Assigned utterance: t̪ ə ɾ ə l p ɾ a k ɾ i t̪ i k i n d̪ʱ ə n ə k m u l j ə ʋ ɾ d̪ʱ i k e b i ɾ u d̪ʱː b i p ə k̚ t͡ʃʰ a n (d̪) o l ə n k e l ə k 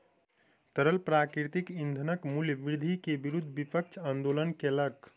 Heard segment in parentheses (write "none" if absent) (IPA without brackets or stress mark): d̪